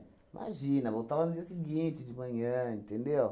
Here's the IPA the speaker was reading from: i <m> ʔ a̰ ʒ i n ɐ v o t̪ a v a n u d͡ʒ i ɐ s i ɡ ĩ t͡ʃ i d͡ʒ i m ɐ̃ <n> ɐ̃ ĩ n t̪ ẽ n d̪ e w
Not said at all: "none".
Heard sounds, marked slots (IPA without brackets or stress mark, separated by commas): m, ɲ